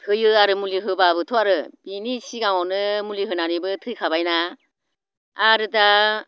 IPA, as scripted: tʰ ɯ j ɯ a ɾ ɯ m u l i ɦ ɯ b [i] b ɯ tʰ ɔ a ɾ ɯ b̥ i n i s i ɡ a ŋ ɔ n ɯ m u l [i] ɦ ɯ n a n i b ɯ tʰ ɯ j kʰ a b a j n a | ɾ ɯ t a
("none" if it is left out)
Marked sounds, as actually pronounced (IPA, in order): a, i

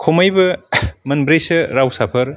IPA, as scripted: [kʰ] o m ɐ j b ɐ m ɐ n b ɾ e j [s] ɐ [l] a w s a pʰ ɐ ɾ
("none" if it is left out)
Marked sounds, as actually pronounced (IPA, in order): kʰ, s, ɾ

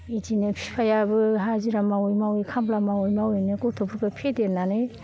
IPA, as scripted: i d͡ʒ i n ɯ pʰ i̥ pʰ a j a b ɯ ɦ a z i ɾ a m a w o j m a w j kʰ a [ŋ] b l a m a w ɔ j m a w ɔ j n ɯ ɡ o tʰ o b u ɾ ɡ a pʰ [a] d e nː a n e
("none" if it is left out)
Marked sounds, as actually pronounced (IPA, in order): m, e

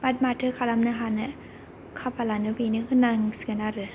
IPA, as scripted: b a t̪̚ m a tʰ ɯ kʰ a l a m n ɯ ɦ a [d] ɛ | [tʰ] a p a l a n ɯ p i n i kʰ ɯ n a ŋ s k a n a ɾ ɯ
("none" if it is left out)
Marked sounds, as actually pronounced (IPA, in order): n, kʰ

